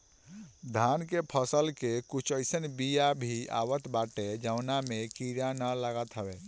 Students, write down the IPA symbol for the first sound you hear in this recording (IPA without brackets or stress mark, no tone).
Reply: d̪ʱ